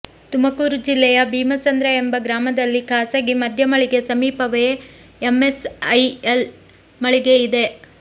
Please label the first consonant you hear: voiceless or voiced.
voiceless